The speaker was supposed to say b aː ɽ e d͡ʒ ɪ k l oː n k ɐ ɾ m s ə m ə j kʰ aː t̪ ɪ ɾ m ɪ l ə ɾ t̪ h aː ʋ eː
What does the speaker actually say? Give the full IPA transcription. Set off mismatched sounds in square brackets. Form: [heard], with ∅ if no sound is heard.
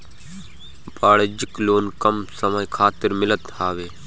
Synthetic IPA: b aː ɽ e d͡ʒ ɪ k l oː n k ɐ [∅] m s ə m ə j kʰ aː t̪ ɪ ɾ m ɪ l ə [∅] t̪ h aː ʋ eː